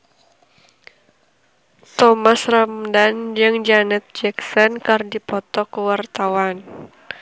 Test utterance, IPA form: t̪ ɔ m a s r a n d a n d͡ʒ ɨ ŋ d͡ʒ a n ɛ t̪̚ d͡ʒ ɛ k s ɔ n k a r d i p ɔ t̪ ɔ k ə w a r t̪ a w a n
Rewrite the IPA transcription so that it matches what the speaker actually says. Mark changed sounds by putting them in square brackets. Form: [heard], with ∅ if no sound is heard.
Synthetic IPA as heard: t̪ ɔ m a s r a [m] d a n d͡ʒ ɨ ŋ d͡ʒ a n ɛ t̪̚ d͡ʒ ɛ k s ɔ n k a r d i p ɔ t̪ ɔ k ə w a r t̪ a w a n